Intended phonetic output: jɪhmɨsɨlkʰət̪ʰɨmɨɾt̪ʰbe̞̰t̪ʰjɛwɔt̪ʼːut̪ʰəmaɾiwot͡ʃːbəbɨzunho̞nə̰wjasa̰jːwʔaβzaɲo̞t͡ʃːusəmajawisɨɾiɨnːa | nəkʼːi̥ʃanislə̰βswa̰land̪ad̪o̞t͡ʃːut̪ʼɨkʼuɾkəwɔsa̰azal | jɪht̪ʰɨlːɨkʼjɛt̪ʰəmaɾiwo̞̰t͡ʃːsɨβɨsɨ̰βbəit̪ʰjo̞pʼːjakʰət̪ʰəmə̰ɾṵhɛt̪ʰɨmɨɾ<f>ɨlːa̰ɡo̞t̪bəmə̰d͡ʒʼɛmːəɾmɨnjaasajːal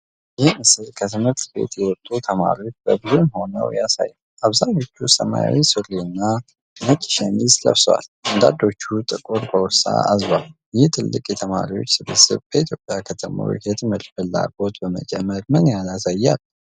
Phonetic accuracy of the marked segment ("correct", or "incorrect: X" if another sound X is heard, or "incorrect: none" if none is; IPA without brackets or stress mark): correct